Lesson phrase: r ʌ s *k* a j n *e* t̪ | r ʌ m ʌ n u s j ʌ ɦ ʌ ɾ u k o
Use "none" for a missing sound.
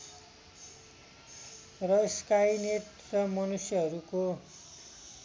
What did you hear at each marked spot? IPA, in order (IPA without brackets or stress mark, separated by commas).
k, e